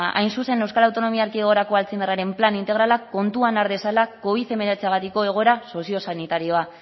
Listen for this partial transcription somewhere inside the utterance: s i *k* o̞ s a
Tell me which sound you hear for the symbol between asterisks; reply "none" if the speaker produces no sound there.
none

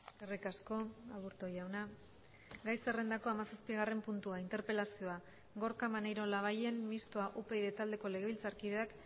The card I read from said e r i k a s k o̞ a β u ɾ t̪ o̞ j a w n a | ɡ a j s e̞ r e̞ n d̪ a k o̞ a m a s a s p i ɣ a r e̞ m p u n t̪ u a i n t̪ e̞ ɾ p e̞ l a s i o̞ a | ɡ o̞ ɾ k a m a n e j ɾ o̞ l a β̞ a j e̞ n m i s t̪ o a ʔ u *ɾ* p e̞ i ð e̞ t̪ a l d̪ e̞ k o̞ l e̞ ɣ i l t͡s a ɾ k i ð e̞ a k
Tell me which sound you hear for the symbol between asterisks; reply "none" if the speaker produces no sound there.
none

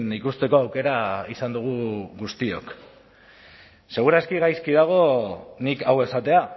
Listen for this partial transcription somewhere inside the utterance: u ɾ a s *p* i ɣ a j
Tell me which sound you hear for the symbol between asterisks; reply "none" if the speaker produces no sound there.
k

